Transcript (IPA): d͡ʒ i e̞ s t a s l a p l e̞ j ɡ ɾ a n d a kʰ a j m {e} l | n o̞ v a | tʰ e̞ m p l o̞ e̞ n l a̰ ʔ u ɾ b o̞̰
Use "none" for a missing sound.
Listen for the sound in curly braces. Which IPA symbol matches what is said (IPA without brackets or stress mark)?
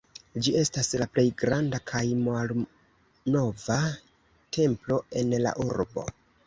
a